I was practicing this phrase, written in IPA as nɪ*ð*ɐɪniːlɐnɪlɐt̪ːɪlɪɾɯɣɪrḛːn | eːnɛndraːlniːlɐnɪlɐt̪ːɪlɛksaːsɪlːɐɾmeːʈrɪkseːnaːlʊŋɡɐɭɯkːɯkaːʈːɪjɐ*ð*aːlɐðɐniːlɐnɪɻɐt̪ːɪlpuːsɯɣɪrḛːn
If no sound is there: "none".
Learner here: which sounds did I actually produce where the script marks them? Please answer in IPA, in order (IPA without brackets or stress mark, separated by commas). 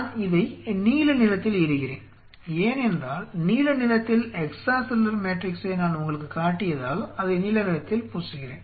ð, ð